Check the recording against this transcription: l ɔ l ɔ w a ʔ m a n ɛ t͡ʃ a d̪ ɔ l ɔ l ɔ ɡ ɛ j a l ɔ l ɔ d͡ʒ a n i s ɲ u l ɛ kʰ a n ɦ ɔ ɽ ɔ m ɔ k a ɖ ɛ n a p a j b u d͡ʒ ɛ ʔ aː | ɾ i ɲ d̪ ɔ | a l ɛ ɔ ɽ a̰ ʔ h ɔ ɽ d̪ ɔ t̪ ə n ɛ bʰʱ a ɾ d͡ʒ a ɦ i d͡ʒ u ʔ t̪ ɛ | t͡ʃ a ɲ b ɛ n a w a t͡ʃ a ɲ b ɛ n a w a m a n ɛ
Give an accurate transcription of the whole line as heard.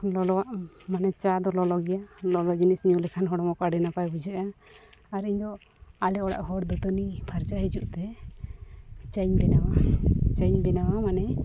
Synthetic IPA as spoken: l ɔ l ɔ w a ʔ m a n ɛ t͡ʃ a d̪ ɔ l ɔ l ɔ ɡ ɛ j a l ɔ l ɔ d͡ʒ i n i s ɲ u l ɛ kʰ a n ɦ ɔ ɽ ɔ m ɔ k a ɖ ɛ n a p a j b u d͡ʒ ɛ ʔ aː | ɾ i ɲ d̪ ɔ | a l ɛ ɔ ɽ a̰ ʔ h ɔ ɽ d̪ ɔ t̪ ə n i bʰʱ a ɾ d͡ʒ a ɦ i d͡ʒ u ʔ t̪ ɛ | t͡ʃ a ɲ b ɛ n a w a t͡ʃ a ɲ b ɛ n a w a m a n ɛ